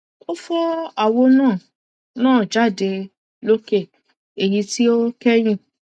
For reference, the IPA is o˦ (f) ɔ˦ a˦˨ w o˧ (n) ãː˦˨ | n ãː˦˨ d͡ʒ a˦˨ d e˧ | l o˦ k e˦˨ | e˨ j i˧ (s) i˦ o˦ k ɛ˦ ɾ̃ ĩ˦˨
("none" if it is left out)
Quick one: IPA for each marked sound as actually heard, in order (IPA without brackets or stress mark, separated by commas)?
f, n, t